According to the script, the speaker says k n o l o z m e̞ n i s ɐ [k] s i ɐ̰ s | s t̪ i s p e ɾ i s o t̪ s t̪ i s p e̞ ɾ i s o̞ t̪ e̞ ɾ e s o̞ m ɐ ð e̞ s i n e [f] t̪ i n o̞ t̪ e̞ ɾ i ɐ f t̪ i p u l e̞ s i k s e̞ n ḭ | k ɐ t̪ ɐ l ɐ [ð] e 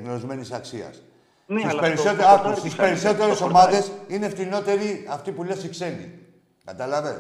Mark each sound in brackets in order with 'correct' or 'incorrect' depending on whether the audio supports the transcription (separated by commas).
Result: correct, correct, incorrect